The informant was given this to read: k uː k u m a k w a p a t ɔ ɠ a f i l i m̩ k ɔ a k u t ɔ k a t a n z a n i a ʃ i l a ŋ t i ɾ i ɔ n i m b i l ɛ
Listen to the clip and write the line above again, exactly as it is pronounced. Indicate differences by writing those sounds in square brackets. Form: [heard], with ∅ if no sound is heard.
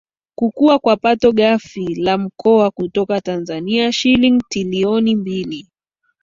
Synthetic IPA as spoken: k [u] k u [∅] a k w a p a t ɔ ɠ a f i l [a] m̩ k ɔ a k u t ɔ k a t a n z a n i a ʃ i l [i] ŋ t i [l] i ɔ n i m b i l [i]